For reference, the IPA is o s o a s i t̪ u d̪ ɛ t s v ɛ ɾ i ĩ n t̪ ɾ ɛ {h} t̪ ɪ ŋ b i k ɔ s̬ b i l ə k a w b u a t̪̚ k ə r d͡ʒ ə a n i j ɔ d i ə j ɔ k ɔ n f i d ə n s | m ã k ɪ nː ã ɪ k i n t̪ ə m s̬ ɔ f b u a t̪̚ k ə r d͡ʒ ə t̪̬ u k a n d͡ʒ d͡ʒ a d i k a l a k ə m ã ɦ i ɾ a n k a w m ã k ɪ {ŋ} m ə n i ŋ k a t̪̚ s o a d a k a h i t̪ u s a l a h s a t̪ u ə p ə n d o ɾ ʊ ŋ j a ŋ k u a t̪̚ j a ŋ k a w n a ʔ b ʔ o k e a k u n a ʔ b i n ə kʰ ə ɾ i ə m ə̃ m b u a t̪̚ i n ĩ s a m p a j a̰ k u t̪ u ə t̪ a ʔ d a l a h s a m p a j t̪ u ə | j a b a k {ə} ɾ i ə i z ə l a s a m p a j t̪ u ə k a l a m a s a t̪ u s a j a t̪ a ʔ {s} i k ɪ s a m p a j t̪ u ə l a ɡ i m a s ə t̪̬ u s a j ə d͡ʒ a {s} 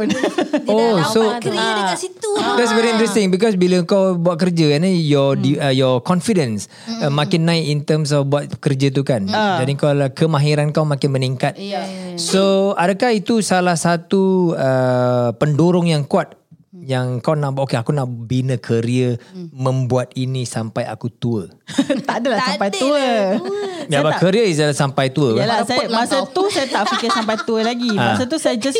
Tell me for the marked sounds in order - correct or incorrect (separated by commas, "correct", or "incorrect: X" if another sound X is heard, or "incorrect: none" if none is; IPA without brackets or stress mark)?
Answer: incorrect: s, incorrect: n, correct, incorrect: f, correct